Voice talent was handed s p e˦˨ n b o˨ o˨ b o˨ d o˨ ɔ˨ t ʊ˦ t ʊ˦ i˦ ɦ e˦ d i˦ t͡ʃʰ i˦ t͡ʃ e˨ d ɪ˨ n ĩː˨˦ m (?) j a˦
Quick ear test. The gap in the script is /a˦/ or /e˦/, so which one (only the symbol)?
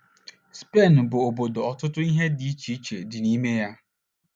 e˦